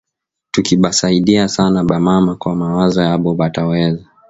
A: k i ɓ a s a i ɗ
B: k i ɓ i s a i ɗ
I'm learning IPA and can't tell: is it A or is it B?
A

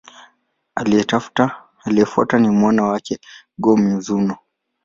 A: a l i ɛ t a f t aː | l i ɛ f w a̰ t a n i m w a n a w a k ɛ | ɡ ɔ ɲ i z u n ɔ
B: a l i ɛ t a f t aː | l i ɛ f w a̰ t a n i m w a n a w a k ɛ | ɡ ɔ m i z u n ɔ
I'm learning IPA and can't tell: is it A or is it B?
B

